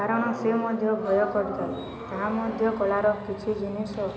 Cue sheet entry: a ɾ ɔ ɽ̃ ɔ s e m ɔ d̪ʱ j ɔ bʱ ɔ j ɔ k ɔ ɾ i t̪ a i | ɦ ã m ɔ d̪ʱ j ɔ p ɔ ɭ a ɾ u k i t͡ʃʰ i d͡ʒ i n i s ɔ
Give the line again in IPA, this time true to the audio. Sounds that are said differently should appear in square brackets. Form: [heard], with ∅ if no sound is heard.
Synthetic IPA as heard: a ɾ ɔ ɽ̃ ɔ s e m ɔ d̪ʱ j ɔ bʱ ɔ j ɔ k ɔ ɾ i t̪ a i | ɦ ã m ɔ d̪ʱ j ɔ [k] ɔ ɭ a ɾ [ɔ] k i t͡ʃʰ i d͡ʒ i n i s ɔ